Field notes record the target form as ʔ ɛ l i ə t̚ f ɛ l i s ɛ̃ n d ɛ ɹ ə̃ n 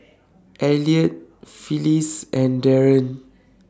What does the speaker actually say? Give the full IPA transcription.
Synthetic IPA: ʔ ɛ l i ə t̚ f i l i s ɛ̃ n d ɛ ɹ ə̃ n